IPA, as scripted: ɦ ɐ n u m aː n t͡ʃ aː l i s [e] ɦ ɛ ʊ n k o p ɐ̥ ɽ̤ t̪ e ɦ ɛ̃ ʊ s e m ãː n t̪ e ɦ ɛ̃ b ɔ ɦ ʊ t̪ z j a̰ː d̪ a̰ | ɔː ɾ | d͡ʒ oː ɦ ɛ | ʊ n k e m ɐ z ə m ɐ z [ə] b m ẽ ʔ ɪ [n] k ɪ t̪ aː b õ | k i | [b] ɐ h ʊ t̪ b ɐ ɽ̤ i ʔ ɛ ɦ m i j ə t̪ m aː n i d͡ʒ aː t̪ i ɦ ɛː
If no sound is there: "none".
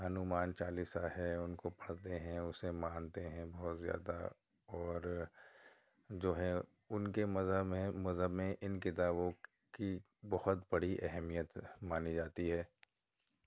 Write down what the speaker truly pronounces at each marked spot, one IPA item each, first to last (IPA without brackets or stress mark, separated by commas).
a, ə, n, b